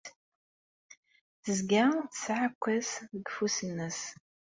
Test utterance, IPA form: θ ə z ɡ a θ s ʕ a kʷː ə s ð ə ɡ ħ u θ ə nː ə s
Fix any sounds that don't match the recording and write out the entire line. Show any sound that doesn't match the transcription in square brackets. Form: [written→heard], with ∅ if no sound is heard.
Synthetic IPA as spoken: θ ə z ɡ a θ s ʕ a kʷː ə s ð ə ɡ [ħ→f] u [θ→s] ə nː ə s